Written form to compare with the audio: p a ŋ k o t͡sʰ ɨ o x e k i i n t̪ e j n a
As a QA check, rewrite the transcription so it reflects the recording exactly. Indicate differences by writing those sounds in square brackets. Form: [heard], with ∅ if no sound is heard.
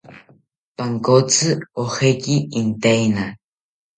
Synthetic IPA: p a ŋ k o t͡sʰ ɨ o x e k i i n t̪ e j n a